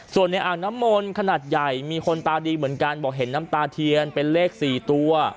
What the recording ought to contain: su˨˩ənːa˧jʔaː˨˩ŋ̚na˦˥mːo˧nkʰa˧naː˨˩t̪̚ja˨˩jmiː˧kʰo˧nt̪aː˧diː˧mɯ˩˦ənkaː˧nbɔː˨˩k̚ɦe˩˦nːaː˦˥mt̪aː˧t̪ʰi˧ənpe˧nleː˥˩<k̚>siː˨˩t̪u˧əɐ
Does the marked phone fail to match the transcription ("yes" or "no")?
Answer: no